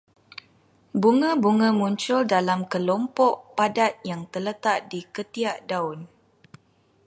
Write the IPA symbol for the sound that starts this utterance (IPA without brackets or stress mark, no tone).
b